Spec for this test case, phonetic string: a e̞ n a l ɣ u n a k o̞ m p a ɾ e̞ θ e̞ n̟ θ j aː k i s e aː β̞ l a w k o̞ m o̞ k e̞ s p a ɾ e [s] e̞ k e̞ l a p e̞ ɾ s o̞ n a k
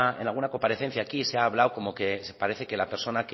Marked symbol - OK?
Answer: no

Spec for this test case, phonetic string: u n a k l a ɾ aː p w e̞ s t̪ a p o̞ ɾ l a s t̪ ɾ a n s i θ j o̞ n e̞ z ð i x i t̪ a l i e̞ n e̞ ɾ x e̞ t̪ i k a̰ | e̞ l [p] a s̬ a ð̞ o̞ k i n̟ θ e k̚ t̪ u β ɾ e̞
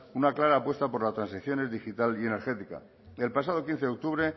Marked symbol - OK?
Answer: yes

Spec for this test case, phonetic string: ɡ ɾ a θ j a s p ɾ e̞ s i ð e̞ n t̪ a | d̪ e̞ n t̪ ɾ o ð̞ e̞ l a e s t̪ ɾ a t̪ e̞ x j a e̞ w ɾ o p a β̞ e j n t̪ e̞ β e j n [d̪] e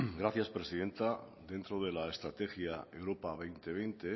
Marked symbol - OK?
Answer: no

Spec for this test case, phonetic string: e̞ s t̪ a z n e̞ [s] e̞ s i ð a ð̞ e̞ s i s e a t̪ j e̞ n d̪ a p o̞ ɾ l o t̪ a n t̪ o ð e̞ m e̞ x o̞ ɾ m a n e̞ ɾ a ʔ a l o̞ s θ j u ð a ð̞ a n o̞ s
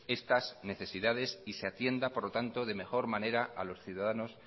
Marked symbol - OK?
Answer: no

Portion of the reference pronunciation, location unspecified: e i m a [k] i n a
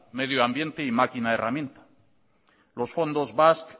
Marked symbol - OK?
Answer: yes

